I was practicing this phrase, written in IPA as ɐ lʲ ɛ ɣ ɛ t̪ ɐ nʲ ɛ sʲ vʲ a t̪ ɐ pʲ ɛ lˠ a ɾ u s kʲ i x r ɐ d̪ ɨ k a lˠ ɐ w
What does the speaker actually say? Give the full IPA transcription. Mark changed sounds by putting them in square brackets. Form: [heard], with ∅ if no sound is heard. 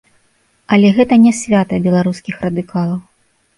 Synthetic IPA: ɐ lʲ ɛ ɣ ɛ t̪ ɐ nʲ ɛ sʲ vʲ a t̪ ɐ [bʲ] ɛ lˠ a ɾ u s kʲ i x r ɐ d̪ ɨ k a lˠ ɐ w